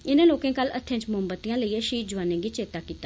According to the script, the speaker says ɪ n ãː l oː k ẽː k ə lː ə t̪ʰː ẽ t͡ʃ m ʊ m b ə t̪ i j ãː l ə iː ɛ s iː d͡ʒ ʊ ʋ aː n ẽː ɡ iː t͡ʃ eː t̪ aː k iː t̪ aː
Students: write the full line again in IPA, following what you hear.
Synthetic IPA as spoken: ɪ n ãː l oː k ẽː k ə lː ə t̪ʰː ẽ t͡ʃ m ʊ m b ə t̪ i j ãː l ə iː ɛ ʃ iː d͡ʒ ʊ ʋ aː n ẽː ɡ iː t͡ʃ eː t̪ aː k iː t̪ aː